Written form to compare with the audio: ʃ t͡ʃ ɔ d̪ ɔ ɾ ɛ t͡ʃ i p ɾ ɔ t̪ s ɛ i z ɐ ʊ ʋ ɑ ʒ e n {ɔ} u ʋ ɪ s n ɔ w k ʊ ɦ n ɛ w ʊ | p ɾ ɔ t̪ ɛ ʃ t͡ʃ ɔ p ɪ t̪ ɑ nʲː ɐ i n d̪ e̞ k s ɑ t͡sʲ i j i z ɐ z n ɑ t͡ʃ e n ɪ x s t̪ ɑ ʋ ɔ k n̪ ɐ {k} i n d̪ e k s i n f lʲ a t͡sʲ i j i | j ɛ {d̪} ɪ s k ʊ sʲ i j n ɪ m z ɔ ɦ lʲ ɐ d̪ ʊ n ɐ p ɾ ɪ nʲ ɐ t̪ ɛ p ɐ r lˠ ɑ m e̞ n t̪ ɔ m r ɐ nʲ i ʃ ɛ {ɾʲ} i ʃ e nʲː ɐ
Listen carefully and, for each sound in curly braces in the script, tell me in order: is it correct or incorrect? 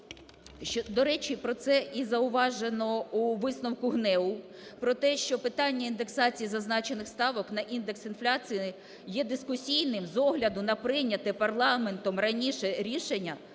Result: correct, incorrect: ʔ, correct, correct

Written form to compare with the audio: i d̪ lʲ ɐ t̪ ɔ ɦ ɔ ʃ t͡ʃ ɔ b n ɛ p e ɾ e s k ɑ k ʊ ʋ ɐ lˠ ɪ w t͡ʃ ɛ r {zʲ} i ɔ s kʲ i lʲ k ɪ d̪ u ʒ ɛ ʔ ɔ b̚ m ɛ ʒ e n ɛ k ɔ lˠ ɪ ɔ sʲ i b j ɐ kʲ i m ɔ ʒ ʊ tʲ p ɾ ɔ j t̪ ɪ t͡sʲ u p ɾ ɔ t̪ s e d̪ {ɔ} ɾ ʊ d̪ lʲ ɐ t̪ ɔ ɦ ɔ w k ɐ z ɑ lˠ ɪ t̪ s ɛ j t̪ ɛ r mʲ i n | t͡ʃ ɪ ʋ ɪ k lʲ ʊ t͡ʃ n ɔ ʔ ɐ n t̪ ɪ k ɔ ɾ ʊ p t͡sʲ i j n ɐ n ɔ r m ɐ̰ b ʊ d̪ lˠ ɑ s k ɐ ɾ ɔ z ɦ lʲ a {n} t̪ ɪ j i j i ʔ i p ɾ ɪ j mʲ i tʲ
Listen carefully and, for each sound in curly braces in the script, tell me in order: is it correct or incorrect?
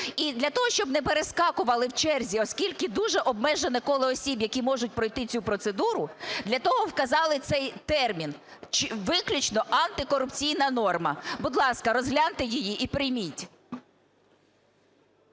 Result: correct, incorrect: u, correct

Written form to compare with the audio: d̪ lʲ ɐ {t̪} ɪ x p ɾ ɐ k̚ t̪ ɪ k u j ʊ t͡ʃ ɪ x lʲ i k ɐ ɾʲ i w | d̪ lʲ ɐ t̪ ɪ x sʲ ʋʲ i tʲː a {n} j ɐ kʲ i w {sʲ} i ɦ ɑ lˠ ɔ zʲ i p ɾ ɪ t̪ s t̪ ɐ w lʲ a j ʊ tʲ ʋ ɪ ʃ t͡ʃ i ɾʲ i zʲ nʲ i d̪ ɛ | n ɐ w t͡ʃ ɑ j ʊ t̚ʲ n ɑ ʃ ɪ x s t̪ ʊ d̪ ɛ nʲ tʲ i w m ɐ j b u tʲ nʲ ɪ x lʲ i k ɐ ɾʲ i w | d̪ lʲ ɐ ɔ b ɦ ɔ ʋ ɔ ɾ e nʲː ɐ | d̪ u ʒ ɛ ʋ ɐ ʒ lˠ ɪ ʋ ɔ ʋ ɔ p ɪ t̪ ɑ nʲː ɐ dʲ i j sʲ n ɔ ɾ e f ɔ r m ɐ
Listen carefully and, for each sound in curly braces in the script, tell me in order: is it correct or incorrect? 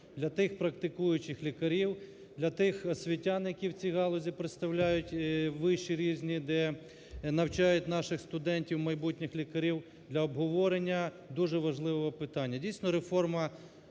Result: correct, correct, incorrect: t͡sʲ

